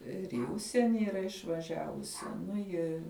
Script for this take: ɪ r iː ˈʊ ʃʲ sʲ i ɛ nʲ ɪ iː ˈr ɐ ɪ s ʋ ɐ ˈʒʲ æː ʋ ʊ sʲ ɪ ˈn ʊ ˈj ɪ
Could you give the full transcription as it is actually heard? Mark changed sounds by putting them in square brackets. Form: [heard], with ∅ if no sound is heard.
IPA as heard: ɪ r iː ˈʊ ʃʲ sʲ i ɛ nʲ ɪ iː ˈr ɐ ɪ [ʃ] ʋ ɐ ˈʒʲ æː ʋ ʊ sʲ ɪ ˈn ʊ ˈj ɪ